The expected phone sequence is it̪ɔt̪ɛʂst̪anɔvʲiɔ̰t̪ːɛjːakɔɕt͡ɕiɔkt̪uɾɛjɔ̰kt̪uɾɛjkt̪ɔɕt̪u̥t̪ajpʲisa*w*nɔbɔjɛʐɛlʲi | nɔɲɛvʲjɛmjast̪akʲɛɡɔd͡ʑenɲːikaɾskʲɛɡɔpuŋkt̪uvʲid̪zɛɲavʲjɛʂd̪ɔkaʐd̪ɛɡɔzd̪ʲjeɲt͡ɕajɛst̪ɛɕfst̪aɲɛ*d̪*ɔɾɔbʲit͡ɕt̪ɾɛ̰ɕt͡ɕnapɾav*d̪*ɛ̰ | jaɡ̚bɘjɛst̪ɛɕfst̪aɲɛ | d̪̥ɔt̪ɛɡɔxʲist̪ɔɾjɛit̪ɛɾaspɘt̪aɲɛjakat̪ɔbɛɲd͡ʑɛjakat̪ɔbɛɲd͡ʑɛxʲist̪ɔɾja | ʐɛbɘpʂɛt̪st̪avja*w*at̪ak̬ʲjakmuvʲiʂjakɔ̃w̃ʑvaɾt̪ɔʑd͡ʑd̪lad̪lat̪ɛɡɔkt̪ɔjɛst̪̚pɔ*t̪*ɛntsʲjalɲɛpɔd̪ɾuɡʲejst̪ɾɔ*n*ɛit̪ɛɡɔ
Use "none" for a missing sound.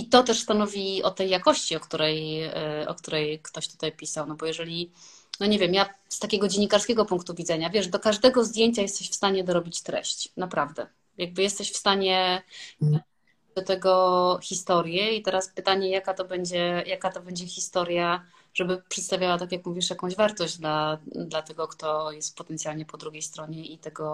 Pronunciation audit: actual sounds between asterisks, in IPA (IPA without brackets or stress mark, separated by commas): w, d̪, d̪, w, t̪, ɲ